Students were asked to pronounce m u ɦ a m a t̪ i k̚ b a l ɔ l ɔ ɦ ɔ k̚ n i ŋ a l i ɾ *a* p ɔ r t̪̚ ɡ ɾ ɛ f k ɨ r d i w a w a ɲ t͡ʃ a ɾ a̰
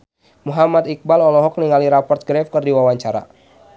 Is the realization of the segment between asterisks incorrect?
no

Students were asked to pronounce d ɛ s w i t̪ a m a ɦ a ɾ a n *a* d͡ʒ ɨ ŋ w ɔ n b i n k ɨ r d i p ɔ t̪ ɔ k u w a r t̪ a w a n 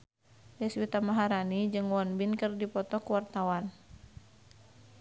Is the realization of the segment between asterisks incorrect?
yes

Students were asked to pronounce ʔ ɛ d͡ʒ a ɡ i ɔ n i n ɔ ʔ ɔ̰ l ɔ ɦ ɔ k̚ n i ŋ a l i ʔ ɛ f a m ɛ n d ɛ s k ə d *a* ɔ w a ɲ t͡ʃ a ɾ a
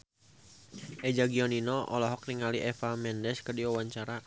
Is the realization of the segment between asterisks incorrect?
yes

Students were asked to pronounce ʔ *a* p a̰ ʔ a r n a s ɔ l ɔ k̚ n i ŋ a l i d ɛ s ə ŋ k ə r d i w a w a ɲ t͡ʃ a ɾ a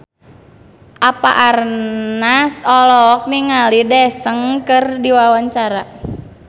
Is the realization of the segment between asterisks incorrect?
no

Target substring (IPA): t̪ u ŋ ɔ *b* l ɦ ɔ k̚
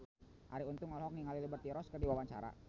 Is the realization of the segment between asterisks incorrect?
yes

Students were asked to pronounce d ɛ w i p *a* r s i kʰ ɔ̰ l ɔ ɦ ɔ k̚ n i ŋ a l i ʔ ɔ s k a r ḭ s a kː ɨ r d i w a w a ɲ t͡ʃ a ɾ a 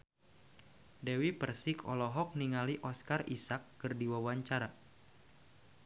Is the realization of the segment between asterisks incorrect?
yes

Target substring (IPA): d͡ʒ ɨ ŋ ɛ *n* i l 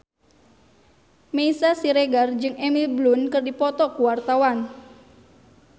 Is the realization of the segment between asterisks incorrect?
yes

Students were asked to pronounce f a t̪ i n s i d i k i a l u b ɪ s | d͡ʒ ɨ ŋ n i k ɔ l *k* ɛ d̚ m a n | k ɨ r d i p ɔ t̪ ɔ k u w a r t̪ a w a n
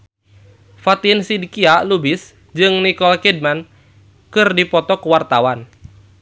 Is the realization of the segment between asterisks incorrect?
no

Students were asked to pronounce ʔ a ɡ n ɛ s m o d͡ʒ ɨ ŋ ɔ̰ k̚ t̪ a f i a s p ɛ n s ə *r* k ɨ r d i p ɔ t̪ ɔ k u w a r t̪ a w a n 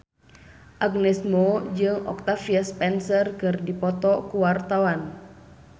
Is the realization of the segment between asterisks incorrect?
no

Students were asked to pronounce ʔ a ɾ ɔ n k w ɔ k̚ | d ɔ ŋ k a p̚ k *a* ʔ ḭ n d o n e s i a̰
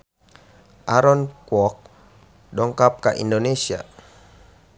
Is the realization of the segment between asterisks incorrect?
no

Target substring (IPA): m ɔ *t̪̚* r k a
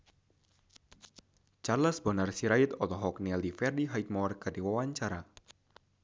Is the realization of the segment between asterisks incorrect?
yes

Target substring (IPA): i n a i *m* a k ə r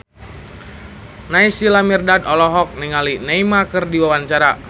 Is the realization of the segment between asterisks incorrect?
no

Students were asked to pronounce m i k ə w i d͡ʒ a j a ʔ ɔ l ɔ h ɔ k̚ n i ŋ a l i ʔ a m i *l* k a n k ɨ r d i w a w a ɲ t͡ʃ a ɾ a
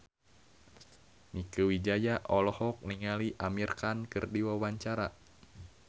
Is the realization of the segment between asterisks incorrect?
yes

